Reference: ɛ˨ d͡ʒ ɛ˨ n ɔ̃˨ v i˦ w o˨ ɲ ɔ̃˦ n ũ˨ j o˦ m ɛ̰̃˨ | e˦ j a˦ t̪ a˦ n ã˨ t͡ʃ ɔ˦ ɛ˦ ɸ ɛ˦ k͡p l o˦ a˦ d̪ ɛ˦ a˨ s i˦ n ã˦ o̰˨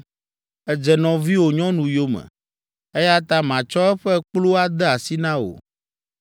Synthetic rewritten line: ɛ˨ d͡ʒ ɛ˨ n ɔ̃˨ v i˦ w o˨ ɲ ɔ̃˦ n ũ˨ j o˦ m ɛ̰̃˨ | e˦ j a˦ t̪ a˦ m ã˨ t͡ʃ ɔ˦ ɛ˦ ɸ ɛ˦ k͡p l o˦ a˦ d̪ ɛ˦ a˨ s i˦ n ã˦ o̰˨